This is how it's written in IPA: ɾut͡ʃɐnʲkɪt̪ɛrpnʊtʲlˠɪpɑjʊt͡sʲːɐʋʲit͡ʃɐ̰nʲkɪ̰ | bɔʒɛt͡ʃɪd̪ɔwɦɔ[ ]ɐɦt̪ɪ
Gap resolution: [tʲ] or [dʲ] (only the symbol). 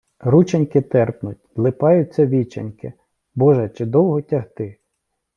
tʲ